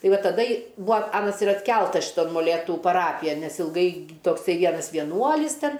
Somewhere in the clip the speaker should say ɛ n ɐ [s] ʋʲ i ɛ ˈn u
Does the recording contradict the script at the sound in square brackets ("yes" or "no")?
no